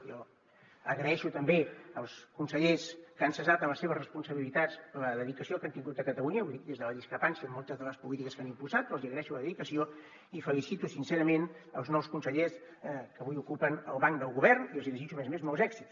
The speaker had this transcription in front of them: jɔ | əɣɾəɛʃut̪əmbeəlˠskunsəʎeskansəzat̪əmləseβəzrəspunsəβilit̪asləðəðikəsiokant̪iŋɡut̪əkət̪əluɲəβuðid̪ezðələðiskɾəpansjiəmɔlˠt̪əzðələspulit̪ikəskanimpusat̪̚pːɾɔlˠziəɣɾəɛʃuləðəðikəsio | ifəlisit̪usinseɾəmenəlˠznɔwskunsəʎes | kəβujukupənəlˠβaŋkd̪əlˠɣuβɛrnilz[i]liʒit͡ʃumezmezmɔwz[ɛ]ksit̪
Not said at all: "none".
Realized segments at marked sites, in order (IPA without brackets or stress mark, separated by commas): i, ɛ